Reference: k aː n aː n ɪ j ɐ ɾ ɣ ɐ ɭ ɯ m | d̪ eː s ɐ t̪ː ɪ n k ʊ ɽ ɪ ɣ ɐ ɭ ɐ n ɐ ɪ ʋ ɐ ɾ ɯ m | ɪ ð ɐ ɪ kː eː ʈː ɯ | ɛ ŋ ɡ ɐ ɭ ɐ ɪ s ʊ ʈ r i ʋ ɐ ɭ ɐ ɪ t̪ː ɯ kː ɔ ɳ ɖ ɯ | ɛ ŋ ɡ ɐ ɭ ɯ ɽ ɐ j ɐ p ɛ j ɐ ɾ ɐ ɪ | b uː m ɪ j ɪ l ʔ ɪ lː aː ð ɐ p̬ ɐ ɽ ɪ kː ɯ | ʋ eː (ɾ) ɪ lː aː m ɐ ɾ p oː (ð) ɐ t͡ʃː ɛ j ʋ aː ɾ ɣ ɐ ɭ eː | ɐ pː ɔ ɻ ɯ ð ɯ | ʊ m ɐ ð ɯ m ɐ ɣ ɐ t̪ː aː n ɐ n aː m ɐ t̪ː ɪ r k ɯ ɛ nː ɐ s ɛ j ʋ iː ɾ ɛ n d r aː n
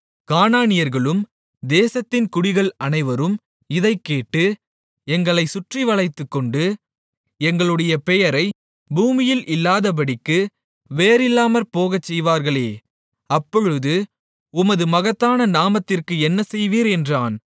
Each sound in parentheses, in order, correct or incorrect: correct, incorrect: ɣ

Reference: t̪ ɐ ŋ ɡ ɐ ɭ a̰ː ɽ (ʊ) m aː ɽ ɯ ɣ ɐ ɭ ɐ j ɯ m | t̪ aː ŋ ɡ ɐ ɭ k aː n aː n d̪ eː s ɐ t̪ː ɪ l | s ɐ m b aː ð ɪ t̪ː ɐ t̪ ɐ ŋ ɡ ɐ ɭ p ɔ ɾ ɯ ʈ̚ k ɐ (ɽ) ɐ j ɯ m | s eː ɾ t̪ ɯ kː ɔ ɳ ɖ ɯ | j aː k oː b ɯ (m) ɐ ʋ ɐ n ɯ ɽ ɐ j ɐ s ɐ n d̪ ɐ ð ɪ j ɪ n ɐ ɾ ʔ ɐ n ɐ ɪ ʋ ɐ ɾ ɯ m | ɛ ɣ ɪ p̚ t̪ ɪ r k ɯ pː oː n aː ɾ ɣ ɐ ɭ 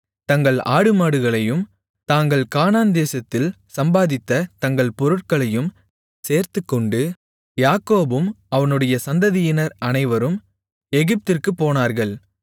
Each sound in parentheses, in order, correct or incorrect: incorrect: ɯ, incorrect: ɭ, correct

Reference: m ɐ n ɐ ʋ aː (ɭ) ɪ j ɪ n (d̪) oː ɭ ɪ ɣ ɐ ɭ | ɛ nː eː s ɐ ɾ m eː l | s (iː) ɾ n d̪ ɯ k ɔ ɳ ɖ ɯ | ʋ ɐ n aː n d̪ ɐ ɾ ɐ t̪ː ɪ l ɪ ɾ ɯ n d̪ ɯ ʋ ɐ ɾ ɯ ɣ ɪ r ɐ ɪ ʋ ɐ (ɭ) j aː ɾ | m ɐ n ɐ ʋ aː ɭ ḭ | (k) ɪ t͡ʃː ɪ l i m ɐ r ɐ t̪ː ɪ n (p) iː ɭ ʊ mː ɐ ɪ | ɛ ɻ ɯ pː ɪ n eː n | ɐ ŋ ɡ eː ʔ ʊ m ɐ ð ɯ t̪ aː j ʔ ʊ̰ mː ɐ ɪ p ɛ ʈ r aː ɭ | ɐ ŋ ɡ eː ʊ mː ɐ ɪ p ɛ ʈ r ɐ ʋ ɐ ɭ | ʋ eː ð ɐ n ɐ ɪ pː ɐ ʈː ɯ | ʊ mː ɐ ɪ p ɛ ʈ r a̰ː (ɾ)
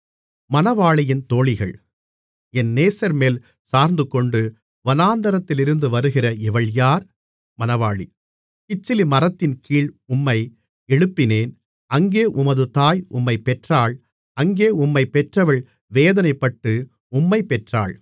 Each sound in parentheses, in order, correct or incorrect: correct, incorrect: t̪, incorrect: aː, correct, correct, incorrect: k, incorrect: ɭ

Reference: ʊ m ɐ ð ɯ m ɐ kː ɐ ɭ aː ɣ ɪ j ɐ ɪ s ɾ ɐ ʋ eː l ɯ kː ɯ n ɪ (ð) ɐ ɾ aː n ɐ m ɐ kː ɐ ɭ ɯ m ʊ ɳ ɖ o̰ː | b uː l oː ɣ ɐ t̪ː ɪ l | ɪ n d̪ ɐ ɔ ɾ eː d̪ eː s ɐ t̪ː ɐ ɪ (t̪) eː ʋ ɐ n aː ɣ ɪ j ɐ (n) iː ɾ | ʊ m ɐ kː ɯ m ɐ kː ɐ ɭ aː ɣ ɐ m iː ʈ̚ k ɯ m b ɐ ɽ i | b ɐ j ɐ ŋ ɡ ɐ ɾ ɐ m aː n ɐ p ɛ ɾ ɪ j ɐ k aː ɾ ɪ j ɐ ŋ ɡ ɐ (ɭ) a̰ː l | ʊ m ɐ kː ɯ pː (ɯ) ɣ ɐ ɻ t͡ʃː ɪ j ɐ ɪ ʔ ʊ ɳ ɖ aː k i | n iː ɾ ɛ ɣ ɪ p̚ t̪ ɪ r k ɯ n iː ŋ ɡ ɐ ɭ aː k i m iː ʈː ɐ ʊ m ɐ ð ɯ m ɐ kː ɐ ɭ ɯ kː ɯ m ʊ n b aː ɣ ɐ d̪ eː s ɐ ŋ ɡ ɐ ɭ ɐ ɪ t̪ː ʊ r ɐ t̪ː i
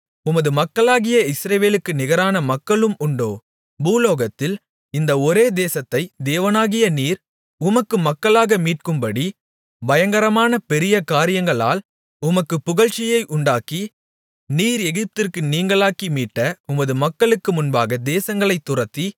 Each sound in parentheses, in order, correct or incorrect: incorrect: ɣ, incorrect: d̪, correct, correct, incorrect: ʊ

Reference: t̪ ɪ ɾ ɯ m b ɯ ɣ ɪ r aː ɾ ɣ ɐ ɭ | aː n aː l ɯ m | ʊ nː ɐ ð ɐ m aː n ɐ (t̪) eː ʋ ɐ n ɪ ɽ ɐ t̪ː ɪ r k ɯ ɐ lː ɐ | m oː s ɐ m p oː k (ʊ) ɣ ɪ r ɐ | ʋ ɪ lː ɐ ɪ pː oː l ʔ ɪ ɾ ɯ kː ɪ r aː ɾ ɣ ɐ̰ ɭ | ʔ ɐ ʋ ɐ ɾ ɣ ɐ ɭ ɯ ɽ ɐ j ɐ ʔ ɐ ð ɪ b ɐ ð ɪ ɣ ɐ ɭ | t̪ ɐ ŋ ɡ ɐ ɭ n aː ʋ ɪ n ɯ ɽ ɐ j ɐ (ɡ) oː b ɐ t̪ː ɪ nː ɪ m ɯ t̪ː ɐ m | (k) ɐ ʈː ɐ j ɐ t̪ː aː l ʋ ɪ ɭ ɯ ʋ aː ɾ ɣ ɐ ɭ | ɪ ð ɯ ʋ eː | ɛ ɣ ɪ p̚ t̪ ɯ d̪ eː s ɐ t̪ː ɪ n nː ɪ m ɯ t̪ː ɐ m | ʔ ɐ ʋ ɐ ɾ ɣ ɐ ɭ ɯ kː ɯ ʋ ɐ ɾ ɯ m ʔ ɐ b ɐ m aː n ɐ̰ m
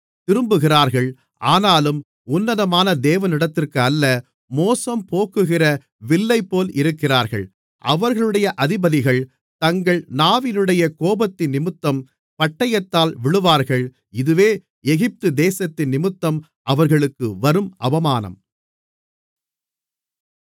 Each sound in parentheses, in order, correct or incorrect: incorrect: d̪, incorrect: ɯ, incorrect: k, incorrect: p

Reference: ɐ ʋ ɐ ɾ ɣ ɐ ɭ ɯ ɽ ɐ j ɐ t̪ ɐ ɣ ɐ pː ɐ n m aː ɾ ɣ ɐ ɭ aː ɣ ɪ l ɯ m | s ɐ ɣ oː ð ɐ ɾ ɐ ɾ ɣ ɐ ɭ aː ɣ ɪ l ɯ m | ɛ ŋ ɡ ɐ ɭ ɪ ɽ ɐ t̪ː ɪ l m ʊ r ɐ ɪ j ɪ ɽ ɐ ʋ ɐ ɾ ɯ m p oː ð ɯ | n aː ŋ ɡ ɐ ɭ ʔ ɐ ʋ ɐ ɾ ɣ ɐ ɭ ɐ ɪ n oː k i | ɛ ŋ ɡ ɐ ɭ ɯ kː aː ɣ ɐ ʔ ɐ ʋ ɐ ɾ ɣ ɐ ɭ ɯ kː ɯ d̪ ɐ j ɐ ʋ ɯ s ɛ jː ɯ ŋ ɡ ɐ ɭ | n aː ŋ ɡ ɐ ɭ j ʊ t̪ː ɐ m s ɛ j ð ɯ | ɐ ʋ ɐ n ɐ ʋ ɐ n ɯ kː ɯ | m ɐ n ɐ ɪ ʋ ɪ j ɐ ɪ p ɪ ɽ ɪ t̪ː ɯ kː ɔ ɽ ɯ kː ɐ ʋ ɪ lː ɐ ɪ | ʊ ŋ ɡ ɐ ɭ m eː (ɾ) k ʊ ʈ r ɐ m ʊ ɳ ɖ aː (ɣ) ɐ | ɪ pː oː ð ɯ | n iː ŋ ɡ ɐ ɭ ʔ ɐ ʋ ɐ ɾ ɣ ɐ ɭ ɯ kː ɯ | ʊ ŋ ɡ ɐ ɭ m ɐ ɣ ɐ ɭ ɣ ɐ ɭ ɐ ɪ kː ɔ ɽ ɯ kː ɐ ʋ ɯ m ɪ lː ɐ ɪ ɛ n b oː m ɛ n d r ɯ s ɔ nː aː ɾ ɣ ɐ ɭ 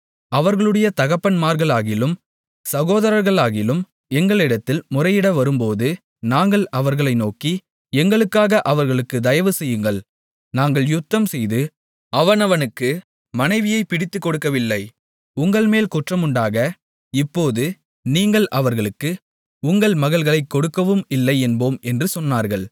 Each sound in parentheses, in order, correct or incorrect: incorrect: l, correct

